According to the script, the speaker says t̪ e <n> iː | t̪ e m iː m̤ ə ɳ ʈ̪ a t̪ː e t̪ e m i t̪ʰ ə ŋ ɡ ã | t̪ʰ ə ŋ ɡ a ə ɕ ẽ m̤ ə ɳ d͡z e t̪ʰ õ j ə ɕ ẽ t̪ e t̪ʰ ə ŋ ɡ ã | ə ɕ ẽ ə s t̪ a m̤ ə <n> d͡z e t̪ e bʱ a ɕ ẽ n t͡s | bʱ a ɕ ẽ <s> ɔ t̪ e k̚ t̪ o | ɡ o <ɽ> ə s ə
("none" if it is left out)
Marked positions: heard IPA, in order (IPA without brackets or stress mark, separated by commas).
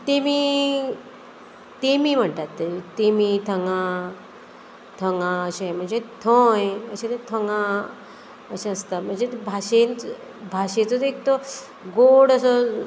m, ɳ, t͡s, ɽ